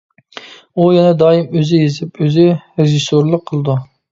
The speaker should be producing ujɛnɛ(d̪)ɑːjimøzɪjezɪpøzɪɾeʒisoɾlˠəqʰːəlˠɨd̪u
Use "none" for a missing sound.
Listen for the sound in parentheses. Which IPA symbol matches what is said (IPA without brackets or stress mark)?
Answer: d̪